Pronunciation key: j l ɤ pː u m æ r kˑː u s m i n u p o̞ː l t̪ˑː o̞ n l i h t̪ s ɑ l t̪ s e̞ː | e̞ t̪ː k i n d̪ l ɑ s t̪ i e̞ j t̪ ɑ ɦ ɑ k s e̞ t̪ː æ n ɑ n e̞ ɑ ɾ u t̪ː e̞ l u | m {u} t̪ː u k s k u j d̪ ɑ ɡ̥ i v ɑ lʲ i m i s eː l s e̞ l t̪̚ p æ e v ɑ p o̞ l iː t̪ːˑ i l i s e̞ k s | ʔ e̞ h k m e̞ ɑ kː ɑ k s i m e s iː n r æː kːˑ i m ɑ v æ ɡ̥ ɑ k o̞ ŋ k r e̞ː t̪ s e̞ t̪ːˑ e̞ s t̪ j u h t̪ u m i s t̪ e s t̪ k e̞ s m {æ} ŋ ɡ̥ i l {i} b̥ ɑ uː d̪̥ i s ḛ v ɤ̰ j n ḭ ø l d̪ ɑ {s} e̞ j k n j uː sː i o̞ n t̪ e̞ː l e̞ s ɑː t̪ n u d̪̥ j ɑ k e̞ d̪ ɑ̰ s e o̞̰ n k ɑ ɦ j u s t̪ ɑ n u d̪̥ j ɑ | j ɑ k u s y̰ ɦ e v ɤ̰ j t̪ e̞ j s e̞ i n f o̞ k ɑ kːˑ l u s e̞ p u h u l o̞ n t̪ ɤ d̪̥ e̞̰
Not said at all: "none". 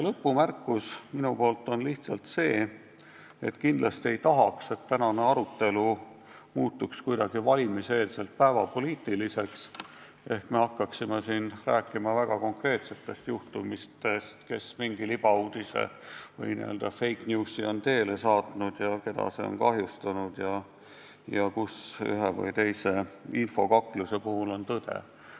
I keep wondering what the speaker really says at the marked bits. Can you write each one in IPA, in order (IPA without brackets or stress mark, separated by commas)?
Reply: uː, i, i, f